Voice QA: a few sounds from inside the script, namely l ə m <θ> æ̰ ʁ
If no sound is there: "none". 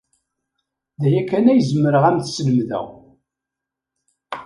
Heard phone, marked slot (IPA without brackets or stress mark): ð